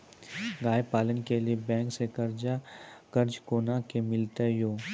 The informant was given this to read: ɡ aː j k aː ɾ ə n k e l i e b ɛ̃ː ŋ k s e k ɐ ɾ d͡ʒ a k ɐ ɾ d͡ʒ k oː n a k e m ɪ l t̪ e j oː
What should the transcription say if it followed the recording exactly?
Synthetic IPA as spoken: ɡ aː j p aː l ə n k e l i e b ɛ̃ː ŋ k s e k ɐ ɾ d͡ʒ a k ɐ ɾ d͡ʒ k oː n a k e m ɪ l t̪ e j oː